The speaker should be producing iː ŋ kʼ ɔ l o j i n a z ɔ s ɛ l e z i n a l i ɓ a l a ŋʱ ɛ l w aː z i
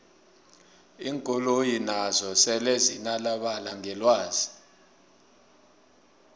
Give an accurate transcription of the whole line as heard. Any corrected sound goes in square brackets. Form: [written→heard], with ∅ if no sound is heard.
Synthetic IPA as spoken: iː ŋ kʼ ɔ l o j i n a z ɔ s ɛ l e z i n a l [i→a] ɓ a l a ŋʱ ɛ l w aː z i